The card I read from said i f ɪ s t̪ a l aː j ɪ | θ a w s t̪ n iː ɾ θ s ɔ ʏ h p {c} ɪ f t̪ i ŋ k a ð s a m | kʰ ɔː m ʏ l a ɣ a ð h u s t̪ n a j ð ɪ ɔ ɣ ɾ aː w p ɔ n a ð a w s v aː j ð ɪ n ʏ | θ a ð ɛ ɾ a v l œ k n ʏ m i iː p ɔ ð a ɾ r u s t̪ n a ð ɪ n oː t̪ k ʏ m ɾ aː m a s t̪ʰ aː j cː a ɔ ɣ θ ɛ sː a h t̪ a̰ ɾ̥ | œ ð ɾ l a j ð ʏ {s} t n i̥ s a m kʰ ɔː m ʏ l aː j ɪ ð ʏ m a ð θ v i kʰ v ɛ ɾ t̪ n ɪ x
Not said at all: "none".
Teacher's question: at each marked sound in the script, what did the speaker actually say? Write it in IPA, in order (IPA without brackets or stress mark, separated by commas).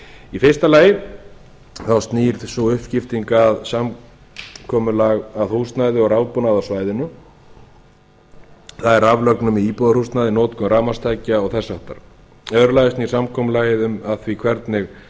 c, s